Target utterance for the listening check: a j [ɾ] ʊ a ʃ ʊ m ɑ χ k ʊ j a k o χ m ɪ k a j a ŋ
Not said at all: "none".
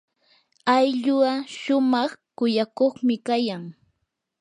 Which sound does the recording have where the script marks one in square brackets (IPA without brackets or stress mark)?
ʎ